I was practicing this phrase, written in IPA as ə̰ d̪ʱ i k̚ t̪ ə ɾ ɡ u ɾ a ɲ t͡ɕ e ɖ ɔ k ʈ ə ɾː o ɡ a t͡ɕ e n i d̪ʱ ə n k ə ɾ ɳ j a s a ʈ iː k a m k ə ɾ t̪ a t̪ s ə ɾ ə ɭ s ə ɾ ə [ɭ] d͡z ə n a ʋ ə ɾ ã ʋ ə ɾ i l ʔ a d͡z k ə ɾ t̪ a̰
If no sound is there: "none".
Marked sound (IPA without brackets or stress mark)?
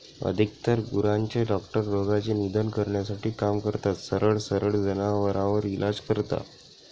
ɭ